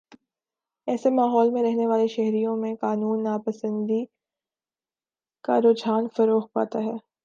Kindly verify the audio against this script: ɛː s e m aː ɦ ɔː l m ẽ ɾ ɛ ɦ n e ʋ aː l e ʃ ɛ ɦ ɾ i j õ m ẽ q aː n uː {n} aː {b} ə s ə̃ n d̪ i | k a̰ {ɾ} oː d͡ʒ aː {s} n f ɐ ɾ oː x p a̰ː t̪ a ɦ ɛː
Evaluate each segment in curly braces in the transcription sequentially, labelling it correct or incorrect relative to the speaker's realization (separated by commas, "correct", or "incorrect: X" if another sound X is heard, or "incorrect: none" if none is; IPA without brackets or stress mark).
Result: incorrect: nː, incorrect: p, correct, incorrect: none